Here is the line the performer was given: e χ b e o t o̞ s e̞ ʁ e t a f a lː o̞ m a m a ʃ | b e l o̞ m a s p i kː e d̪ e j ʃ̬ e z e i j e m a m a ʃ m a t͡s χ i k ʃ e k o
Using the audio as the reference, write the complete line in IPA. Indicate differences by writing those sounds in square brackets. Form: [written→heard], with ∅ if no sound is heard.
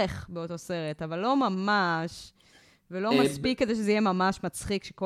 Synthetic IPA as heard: e χ b e o t o̞ s e̞ ʁ e t a [f→v] a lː o̞ m a m a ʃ | [b→v] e l o̞ m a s p i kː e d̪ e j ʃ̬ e z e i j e m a m a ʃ m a t͡s χ i k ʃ e k o